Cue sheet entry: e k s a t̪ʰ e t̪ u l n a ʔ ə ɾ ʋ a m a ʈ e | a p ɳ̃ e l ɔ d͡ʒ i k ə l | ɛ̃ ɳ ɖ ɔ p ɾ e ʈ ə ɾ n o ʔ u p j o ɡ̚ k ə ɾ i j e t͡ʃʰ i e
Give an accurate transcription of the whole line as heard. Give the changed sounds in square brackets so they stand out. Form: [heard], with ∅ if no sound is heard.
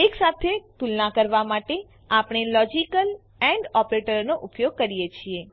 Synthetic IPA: e k s a t̪ʰ e t̪ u l n a [k] ə ɾ ʋ a m a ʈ e | a p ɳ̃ e l ɔ d͡ʒ i k ə l | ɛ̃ ɳ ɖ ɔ p ɾ e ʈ ə ɾ n o ʔ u p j o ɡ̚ k ə ɾ i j e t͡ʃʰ i e